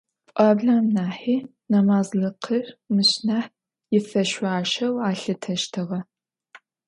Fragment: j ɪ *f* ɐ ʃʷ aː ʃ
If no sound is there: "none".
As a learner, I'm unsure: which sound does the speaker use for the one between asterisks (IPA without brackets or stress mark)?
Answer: f